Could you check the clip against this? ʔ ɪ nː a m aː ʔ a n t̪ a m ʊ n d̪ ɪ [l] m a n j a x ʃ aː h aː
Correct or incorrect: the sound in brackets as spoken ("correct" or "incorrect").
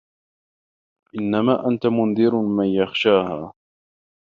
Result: incorrect